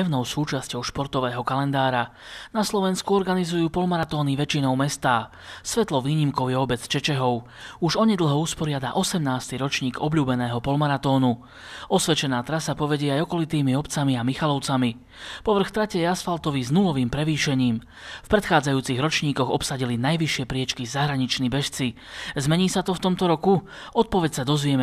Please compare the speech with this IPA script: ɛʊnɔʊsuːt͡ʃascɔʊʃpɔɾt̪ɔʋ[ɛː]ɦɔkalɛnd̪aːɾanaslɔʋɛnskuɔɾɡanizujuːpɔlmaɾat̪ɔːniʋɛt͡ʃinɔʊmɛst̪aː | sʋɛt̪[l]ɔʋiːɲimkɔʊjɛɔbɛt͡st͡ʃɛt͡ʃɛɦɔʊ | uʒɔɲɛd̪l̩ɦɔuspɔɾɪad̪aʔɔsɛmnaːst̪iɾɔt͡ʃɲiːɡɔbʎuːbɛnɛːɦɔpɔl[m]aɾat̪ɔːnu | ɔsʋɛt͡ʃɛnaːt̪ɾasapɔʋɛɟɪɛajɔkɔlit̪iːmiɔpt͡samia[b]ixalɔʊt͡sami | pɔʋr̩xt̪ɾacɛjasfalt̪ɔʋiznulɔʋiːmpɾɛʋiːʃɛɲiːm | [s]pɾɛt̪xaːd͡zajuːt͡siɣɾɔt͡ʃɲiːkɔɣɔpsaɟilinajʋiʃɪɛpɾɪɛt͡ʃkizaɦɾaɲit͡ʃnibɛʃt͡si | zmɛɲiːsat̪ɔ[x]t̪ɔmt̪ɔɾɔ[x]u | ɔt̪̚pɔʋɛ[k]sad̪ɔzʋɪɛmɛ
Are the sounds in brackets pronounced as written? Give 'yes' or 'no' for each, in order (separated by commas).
yes, yes, yes, no, no, no, no, no